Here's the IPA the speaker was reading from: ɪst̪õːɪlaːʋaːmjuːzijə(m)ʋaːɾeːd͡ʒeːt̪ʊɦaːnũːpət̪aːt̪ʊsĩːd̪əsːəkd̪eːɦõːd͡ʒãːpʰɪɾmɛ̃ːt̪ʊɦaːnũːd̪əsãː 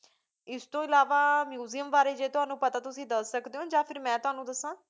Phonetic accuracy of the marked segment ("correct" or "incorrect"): correct